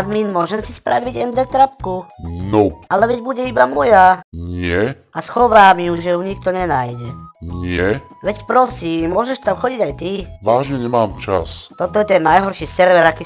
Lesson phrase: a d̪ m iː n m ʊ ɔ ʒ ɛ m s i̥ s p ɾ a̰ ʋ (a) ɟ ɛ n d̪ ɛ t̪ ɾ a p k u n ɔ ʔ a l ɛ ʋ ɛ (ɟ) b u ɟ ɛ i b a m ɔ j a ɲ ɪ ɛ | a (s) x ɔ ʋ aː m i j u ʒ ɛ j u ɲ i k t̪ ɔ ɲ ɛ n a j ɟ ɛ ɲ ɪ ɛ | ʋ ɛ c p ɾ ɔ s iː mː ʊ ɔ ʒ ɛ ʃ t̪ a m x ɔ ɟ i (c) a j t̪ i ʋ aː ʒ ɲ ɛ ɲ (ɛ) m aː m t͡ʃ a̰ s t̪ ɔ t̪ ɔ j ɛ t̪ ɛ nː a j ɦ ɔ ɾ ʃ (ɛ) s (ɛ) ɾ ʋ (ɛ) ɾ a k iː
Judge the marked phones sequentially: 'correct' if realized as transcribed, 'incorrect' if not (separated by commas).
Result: incorrect, correct, correct, incorrect, correct, incorrect, correct, correct